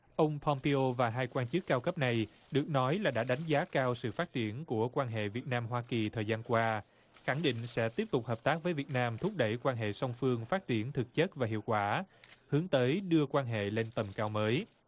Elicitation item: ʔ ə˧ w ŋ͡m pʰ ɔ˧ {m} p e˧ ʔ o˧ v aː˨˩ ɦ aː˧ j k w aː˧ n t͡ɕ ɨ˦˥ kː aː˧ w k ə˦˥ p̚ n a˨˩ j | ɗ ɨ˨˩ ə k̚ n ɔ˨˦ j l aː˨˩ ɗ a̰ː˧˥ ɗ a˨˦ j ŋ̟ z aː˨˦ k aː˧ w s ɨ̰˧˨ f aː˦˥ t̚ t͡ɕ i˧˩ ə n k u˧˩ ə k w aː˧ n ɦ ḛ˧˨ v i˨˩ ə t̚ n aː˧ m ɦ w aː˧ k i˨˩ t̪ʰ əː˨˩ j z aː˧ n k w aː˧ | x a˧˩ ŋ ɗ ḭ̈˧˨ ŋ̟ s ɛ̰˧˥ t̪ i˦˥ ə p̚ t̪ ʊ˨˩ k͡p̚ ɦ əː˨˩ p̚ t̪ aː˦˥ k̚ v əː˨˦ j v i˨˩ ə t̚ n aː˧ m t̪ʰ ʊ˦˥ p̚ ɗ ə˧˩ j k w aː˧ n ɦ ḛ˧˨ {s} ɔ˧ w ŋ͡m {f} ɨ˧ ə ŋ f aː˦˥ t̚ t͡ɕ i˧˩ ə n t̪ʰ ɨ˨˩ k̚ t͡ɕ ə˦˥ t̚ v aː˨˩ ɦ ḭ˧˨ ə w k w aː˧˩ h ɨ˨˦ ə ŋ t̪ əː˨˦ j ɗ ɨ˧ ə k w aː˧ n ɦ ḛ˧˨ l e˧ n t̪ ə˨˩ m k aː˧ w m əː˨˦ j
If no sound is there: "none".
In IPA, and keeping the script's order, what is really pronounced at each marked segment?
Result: m, s, f

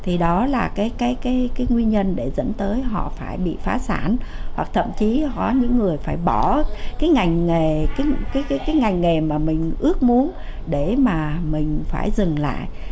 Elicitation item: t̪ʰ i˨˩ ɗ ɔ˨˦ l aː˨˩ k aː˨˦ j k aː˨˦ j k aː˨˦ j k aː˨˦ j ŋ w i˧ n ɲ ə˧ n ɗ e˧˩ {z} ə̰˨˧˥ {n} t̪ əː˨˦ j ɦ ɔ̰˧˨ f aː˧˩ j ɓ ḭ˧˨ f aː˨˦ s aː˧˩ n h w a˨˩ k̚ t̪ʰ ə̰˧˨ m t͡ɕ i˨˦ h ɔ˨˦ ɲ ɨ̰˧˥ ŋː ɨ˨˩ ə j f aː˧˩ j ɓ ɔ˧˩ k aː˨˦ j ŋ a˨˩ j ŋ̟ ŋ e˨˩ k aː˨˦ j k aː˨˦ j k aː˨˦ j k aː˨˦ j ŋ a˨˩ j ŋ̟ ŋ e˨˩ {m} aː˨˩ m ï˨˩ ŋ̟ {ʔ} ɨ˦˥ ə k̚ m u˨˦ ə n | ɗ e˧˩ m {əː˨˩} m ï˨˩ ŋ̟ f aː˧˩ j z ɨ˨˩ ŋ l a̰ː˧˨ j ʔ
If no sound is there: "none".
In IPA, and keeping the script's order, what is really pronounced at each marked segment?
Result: z, n, m, ʔ, aː˨˩

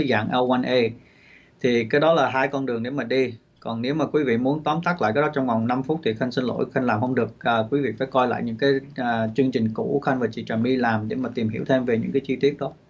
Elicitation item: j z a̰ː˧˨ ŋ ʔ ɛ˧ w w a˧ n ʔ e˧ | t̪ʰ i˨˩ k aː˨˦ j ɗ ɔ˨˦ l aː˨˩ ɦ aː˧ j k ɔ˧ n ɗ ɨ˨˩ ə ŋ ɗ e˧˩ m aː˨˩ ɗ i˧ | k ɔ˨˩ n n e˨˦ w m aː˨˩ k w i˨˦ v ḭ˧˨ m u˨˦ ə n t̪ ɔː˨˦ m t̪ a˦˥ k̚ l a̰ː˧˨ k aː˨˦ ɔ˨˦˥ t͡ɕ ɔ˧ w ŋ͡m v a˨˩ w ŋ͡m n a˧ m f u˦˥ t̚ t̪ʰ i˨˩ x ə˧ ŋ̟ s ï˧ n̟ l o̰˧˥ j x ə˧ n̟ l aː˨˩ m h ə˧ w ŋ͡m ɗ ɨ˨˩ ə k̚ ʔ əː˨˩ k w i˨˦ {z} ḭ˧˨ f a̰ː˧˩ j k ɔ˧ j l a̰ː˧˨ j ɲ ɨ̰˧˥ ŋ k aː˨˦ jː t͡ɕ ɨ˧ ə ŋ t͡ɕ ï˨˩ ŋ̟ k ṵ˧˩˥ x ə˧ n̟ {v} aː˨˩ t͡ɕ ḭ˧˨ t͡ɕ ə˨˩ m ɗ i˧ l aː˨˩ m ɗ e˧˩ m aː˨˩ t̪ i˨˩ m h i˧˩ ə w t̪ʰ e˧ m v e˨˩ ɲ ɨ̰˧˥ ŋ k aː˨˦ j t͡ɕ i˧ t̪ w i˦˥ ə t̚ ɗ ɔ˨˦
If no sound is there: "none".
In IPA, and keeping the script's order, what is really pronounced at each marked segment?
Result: v, v

